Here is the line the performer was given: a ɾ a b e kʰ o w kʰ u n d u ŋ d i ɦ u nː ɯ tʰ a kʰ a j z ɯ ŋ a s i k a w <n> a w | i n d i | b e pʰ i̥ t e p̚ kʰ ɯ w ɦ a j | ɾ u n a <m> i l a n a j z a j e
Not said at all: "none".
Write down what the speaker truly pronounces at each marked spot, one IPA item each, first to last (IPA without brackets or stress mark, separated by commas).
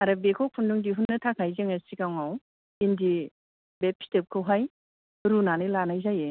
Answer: ŋ, n